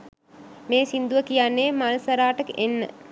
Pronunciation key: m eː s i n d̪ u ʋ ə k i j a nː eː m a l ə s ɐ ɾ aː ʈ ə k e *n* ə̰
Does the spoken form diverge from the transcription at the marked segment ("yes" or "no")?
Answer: yes